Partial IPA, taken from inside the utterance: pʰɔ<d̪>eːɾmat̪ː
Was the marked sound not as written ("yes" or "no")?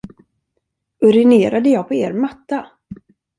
yes